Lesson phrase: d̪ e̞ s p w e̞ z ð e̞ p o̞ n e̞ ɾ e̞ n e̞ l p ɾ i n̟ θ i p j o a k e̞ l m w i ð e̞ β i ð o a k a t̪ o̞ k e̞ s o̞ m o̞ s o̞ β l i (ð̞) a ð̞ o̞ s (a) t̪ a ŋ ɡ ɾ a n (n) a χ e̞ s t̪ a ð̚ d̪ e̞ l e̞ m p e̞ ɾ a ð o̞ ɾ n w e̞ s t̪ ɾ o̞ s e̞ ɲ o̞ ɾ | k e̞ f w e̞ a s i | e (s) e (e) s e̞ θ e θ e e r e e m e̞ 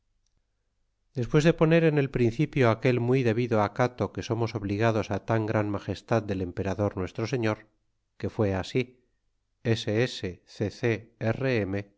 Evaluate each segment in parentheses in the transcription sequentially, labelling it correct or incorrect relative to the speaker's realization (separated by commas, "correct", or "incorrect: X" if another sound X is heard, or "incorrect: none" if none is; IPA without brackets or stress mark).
incorrect: ɣ̞, correct, incorrect: m, correct, correct